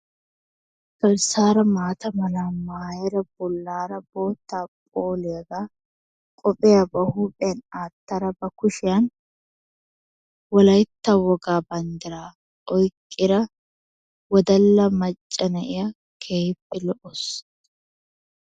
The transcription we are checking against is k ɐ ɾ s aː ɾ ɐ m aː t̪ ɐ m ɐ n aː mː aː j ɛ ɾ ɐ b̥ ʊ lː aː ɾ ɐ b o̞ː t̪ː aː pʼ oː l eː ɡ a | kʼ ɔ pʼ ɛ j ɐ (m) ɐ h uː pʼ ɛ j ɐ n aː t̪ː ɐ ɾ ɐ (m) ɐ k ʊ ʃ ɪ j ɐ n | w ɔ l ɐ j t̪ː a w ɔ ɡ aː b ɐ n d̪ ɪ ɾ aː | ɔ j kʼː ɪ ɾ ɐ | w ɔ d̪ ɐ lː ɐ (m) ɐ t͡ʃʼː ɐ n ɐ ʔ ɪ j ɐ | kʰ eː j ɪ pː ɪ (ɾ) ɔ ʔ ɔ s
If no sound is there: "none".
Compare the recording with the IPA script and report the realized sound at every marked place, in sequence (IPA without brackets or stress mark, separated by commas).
b, b, m, l